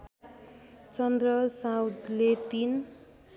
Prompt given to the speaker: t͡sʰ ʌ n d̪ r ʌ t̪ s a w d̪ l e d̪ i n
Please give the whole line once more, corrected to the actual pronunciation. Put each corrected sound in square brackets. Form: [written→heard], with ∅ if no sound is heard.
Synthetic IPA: [t͡sʰ→t͡s] ʌ n d̪ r ʌ [t̪→∅] s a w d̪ l e [d̪→t̪] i n